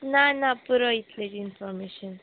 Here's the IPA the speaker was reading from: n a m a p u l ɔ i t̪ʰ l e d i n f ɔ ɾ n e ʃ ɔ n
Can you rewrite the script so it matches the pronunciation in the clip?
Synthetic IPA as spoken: n a n a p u ɾ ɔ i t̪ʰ l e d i n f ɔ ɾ m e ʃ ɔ n